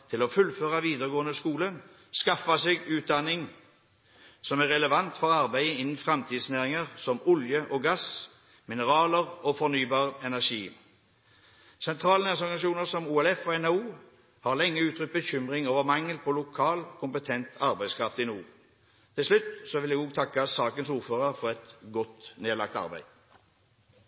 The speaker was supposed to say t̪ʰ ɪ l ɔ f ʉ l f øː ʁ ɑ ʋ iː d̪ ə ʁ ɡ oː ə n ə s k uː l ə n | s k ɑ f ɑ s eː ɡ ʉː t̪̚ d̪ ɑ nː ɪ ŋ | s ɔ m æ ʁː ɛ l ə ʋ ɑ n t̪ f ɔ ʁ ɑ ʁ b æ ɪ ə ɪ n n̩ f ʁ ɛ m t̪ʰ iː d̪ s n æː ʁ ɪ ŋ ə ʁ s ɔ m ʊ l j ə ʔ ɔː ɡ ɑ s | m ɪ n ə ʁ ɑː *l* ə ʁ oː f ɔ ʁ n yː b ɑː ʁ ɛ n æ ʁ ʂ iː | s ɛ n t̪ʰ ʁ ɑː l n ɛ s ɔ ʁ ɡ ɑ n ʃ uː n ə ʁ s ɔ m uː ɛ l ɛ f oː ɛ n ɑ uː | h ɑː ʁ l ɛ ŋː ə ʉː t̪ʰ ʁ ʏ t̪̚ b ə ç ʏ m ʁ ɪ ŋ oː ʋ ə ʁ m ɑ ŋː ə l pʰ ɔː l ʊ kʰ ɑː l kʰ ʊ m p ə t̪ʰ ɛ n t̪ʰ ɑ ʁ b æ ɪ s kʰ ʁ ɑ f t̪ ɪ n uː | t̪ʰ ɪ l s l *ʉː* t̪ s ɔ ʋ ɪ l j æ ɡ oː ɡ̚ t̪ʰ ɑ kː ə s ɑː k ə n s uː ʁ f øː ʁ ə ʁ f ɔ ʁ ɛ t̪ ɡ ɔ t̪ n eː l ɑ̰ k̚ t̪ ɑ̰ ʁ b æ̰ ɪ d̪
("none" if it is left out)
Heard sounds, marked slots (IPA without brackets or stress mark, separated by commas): l, ʉ